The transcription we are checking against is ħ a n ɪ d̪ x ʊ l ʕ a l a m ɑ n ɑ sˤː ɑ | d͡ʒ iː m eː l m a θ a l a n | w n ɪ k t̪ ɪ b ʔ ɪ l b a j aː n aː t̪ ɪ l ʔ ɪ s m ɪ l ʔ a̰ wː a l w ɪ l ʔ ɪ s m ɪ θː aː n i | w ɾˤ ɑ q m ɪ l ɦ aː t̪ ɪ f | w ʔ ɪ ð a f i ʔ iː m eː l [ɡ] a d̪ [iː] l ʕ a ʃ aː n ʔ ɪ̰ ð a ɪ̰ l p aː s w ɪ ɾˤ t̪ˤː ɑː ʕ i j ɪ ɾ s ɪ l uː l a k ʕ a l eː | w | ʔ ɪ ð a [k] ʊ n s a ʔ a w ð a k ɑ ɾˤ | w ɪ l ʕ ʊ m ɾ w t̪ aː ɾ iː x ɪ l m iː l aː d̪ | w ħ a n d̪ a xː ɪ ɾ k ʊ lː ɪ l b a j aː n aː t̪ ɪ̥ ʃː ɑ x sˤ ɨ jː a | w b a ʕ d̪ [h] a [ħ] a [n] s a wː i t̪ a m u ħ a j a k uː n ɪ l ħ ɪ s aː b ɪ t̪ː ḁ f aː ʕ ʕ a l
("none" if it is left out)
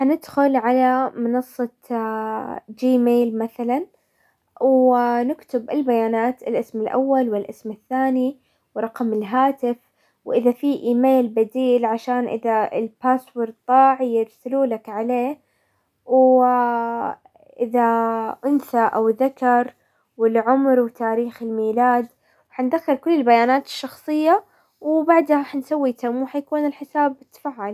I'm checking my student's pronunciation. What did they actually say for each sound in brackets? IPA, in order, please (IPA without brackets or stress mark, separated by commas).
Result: b, iː, ʔ, h, ħ, n